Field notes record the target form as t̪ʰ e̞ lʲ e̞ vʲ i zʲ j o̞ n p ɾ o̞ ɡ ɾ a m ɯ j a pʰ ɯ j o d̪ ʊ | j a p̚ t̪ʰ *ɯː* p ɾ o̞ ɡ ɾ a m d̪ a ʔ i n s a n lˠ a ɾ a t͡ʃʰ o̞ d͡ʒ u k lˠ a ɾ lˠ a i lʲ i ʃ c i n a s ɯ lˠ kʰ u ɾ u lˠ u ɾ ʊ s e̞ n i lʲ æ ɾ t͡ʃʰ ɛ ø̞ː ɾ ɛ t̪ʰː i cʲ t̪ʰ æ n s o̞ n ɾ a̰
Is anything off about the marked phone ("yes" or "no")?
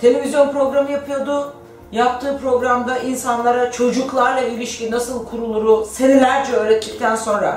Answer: no